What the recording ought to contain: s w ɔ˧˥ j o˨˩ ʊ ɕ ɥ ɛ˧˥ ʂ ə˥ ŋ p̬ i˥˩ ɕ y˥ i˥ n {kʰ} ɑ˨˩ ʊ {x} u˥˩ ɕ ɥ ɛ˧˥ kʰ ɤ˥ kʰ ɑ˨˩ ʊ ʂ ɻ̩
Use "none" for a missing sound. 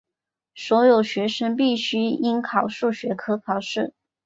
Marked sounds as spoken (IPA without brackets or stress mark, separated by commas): kʰ, ʂ